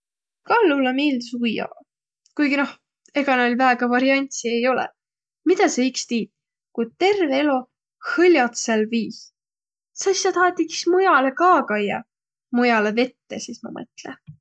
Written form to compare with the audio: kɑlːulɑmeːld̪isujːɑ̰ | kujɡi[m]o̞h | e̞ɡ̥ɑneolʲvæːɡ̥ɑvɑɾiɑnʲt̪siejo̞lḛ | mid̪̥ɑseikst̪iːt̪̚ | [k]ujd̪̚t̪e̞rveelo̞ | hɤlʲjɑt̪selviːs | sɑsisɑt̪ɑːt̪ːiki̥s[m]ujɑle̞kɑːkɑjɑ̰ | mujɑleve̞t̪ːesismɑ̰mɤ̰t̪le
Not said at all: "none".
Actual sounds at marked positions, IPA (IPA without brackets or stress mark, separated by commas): n, k, m